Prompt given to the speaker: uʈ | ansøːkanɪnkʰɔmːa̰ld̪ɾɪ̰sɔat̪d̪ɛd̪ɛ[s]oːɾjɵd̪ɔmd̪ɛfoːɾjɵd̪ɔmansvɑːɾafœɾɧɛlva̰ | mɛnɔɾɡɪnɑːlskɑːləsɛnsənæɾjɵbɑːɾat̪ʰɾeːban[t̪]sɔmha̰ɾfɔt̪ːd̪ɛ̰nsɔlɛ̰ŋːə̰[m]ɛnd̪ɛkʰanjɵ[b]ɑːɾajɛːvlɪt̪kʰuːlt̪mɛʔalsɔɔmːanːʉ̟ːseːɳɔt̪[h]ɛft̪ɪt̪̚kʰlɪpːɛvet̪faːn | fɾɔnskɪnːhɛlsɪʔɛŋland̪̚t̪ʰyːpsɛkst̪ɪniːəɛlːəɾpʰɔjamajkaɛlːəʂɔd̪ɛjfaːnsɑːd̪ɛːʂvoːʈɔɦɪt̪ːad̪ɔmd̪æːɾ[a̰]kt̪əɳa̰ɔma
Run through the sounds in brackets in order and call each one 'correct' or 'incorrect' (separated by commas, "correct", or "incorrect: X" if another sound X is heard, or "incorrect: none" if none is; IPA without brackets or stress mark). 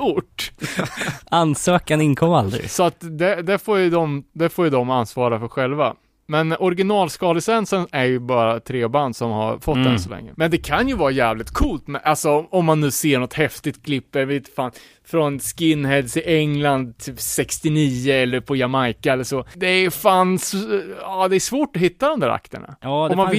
incorrect: f, incorrect: d̪, correct, incorrect: v, correct, correct